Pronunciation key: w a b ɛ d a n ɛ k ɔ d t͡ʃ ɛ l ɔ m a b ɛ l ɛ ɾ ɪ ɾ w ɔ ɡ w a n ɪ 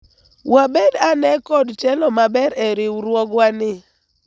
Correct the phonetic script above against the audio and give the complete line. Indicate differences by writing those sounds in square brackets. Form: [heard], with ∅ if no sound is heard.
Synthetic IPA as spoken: w a b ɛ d a n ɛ k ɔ d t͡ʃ ɛ l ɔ m a b ɛ [ɾ] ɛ ɾ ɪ ɾ w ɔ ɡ w a n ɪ